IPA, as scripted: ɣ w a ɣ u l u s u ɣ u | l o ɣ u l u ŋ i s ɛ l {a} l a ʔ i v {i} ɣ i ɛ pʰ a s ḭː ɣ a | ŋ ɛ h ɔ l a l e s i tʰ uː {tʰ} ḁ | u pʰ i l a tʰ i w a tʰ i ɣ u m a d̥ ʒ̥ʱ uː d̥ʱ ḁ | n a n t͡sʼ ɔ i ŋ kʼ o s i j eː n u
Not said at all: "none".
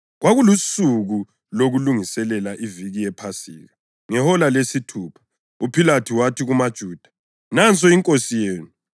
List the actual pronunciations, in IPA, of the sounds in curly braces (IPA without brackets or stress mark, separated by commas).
ɛ, i, pʰ